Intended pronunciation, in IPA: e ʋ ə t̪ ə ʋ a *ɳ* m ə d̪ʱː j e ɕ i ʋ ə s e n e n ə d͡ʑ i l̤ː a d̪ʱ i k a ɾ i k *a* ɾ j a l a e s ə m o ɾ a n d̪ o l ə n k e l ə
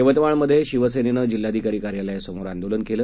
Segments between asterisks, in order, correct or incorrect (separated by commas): correct, correct